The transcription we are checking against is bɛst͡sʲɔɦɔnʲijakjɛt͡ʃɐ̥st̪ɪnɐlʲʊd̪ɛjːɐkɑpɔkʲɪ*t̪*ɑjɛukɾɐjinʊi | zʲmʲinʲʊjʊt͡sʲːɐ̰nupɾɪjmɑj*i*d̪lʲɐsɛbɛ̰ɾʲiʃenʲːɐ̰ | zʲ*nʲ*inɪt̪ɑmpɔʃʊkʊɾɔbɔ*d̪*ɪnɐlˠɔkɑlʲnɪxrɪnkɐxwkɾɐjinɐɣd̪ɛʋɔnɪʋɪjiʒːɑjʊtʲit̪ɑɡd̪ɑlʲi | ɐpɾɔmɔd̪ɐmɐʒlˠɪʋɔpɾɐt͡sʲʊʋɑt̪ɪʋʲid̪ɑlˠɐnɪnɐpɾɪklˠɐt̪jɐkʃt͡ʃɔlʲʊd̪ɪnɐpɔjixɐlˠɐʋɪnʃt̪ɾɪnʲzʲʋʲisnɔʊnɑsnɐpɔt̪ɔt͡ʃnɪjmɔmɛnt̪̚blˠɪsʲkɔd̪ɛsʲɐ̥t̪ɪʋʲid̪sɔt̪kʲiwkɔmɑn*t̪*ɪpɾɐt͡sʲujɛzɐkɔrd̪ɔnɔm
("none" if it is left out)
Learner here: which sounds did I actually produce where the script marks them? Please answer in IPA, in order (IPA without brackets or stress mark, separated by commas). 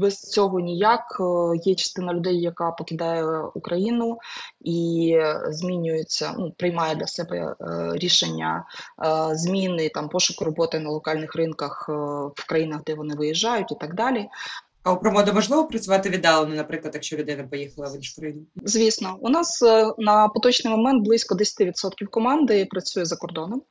d̪, ɛ, mʲ, t̪, d̪